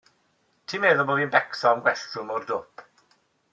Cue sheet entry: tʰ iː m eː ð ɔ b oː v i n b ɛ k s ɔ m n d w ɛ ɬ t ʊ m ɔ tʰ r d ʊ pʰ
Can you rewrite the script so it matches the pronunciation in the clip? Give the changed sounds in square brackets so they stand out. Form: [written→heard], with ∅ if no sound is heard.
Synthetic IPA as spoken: tʰ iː m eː ð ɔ b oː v i n b ɛ k s ɔ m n [d→ɡ] w ɛ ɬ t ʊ m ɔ [tʰ→∅] r d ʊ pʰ